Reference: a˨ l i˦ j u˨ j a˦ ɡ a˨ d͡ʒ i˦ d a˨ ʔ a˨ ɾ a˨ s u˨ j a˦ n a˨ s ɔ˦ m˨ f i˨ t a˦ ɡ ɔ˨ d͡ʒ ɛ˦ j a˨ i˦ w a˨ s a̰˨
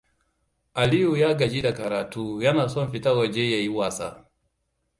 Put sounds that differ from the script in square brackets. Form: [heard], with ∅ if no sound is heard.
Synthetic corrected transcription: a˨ l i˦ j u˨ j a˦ ɡ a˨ d͡ʒ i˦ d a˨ [k] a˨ ɾ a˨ [t] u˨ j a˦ n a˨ s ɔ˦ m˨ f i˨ t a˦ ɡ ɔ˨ d͡ʒ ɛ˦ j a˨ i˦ w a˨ s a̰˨